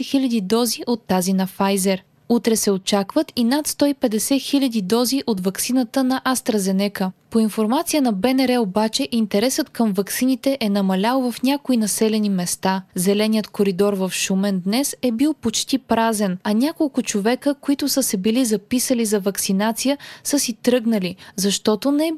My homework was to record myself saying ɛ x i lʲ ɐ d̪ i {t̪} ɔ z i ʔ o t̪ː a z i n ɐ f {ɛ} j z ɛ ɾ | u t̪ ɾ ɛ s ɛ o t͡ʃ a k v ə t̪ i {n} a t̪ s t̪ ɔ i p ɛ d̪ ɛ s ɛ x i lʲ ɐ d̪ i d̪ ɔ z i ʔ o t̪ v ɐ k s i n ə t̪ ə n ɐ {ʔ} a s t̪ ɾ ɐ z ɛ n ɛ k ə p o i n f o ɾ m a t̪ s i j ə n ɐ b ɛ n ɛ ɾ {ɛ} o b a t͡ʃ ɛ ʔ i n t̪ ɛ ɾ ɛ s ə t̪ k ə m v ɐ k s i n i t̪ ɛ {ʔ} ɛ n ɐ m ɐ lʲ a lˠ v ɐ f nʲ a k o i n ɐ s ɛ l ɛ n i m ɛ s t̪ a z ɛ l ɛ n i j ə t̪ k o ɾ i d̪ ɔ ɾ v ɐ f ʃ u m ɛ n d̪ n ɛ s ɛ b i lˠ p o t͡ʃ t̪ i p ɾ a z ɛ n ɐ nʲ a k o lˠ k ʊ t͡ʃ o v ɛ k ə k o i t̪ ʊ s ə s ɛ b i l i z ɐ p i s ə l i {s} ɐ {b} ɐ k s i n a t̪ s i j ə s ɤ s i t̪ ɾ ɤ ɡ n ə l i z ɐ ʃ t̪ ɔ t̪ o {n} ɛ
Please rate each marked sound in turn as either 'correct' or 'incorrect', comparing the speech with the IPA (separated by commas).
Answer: incorrect, incorrect, correct, correct, correct, correct, incorrect, incorrect, correct